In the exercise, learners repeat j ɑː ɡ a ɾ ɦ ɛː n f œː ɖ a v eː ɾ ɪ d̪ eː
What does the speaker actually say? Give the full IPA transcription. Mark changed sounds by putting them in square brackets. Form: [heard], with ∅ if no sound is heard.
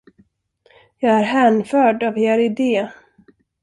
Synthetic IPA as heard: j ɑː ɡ [æ] ɾ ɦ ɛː n f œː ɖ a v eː ɾ ɪ d̪ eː